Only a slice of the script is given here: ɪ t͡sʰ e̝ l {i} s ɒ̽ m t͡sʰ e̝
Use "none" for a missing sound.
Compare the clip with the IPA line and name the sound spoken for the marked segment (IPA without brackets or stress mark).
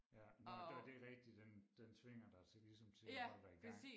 i